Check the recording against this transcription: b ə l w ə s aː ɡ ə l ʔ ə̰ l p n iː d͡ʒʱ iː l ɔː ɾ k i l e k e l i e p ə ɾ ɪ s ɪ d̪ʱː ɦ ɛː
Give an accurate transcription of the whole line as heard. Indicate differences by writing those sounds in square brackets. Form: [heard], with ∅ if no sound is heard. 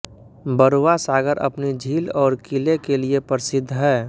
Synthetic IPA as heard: b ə [ɾ] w [a] s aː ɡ ə [ɾ] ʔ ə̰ [∅] p n [i] d͡ʒʱ iː l ɔː ɾ k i l e k e l i e p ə ɾ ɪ s ɪ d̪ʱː ɦ ɛː